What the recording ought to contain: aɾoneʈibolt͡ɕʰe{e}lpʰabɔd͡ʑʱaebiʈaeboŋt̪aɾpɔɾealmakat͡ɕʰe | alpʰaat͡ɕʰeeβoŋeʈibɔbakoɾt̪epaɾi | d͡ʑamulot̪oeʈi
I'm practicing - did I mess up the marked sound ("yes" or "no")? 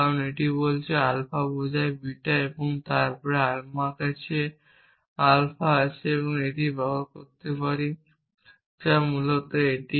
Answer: yes